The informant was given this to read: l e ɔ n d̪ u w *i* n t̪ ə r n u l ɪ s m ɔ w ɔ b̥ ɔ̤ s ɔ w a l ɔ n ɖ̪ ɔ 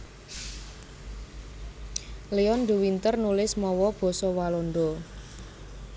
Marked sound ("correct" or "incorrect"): correct